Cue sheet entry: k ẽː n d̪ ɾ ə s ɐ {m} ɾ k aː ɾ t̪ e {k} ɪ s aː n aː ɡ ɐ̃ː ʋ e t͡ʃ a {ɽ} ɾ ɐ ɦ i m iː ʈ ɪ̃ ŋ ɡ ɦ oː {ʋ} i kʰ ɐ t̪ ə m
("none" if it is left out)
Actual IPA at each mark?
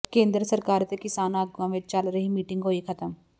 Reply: none, k, l, none

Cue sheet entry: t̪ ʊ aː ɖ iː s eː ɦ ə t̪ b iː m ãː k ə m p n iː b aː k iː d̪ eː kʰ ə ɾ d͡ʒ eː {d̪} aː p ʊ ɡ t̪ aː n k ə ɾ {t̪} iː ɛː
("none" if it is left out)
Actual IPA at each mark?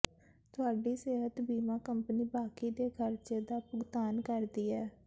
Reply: d̪, d̪

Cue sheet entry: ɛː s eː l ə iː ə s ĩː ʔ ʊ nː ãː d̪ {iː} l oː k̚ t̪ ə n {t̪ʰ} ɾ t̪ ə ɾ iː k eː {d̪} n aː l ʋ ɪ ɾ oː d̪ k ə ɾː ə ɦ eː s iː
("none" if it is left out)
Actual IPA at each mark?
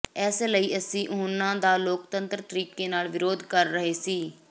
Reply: aː, t̪, none

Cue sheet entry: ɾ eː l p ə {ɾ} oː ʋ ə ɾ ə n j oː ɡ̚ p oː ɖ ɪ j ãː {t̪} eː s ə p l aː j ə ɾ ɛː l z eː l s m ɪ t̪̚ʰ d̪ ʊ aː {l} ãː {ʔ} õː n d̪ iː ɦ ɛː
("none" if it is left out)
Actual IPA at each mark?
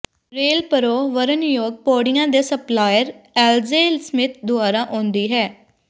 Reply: ɾ, d̪, ɾ, ʔ

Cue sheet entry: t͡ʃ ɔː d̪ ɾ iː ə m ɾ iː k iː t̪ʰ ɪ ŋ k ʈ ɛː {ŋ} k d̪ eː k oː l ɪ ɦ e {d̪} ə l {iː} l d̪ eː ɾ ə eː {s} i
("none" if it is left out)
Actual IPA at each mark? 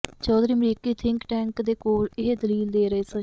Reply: ŋ, d̪, iː, s

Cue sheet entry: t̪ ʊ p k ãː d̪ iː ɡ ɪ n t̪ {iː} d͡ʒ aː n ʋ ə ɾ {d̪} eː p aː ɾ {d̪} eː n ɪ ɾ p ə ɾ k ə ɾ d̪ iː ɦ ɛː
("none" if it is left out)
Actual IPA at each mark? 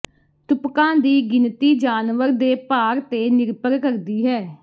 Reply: iː, d̪, t̪

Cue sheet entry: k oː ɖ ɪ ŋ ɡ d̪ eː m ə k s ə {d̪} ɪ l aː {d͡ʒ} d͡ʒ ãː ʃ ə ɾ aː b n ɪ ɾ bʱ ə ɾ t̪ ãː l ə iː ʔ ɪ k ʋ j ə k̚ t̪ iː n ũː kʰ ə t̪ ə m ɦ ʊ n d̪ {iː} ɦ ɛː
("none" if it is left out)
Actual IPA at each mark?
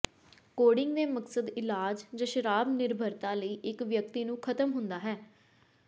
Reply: d̪, d͡ʒ, aː

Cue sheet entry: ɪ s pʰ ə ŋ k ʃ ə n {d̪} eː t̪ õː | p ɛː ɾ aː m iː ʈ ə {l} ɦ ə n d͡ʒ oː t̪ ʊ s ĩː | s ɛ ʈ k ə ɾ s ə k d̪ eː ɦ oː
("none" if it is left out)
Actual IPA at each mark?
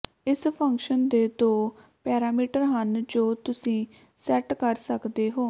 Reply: d̪, ɾ

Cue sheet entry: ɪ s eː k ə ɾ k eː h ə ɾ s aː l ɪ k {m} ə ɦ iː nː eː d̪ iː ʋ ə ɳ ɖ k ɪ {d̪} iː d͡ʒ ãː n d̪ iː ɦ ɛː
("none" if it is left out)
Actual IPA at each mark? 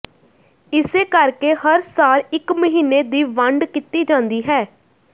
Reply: m, t̪

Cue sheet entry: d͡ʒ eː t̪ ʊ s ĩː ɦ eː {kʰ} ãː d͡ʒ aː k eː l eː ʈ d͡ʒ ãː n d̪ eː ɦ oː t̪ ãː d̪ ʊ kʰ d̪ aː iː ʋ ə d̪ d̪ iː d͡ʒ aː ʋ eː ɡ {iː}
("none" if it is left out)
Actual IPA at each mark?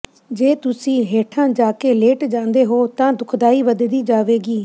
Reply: ʈʰ, iː

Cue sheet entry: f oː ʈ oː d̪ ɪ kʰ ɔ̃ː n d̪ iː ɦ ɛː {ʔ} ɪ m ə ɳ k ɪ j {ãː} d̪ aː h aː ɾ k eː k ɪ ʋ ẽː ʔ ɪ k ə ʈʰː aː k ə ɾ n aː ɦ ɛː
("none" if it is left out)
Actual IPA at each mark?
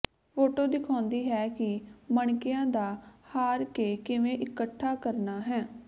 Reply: k, ãː

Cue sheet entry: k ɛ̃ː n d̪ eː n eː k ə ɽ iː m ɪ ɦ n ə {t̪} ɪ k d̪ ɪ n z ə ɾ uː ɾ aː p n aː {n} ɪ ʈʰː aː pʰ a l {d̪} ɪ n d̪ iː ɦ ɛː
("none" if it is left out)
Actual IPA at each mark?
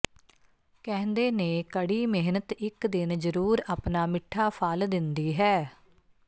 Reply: t̪, m, d̪

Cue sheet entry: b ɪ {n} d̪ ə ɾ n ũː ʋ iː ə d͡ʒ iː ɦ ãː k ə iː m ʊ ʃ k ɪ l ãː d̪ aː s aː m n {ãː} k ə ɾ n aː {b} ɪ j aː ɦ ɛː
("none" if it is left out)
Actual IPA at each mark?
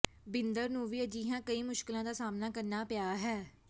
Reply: n, aː, p

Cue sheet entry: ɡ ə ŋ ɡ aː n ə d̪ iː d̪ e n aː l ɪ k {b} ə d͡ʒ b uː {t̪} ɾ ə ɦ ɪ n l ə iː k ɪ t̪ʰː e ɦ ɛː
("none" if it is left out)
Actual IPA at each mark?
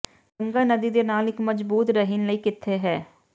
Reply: m, t̪

